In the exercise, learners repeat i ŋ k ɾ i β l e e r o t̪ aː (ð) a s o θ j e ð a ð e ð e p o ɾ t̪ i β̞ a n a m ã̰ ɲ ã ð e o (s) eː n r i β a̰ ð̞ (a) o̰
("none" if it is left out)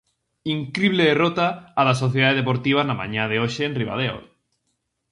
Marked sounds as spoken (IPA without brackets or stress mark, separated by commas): ð, ʃ, e